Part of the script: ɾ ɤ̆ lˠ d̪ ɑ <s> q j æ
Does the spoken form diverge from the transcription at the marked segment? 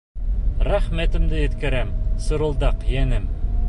yes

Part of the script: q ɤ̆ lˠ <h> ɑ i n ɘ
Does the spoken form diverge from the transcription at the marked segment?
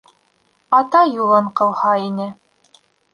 no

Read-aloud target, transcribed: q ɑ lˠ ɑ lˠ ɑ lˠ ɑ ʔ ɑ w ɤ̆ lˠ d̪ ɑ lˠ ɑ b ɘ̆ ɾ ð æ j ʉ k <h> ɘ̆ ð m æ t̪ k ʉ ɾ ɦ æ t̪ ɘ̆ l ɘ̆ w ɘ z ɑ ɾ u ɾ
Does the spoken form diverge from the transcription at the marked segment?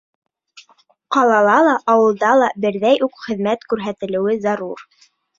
yes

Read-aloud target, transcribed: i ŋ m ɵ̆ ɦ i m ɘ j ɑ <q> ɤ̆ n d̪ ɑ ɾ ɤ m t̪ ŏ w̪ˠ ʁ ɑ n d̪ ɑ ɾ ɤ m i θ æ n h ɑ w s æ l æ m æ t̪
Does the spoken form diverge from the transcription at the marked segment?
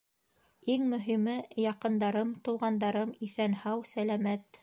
no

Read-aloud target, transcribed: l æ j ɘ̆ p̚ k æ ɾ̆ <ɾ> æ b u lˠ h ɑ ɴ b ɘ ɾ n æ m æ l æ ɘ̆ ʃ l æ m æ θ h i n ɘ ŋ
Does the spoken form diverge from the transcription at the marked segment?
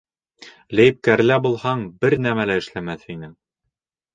yes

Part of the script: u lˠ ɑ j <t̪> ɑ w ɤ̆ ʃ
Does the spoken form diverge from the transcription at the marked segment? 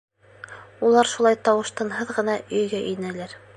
no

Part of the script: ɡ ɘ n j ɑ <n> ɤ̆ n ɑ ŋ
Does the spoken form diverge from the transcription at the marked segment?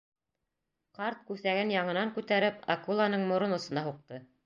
yes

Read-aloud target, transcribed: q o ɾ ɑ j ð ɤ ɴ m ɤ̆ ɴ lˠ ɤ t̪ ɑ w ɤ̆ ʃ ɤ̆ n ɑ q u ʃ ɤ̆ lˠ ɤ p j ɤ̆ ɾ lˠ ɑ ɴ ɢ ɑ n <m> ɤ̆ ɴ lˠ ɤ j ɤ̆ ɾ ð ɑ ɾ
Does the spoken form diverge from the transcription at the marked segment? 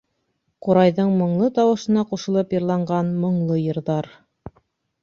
no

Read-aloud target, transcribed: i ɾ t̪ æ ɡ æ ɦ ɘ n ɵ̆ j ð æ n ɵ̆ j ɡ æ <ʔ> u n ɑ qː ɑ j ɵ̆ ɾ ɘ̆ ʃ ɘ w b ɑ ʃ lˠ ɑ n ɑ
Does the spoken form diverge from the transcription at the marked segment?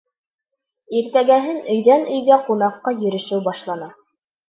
yes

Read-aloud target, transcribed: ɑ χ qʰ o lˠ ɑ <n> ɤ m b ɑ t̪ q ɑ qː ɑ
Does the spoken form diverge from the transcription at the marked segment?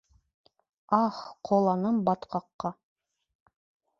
no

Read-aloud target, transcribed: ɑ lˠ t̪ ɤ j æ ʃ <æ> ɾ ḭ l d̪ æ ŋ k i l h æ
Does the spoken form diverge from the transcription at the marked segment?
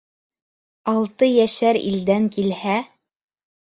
no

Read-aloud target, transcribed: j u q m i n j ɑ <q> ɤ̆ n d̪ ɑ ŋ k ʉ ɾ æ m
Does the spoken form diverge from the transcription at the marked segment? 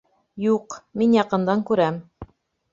no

